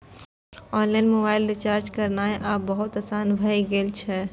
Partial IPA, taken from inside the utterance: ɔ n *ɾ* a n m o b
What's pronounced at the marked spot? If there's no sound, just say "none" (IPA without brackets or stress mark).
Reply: l